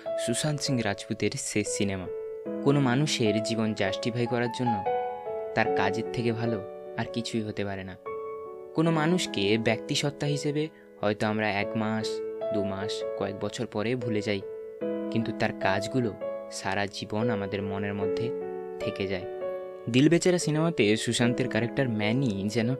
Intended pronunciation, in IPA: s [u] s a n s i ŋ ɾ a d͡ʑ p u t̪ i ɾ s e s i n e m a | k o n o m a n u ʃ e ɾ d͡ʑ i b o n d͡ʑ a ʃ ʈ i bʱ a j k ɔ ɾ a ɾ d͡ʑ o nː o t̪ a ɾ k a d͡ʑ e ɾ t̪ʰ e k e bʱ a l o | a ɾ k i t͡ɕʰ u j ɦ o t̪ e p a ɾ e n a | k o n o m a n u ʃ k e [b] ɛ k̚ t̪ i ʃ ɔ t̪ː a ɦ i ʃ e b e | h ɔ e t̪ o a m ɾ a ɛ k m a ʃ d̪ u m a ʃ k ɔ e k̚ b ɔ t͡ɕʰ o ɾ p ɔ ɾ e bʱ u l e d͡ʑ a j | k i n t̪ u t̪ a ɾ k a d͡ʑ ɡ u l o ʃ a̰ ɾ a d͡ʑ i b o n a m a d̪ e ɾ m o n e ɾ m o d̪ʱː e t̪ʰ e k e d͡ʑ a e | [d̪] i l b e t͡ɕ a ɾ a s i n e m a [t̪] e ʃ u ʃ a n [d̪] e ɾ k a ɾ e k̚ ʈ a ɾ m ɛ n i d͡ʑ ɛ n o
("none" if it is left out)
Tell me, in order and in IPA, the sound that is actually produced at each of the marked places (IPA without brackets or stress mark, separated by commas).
u, b, d̪, t̪, t̪